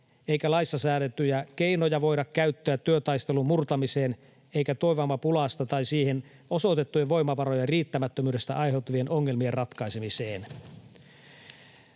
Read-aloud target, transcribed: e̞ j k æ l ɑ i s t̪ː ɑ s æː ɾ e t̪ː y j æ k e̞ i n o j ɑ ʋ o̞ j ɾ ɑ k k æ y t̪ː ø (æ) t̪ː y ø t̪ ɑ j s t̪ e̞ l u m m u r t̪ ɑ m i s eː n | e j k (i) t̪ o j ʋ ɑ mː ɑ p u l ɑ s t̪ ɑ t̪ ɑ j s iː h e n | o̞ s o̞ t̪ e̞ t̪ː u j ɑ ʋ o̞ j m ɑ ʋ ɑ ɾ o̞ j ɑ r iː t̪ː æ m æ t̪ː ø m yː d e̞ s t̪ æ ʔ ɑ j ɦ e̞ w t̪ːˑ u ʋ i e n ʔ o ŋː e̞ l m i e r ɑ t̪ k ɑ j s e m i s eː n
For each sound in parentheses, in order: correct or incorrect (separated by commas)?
correct, incorrect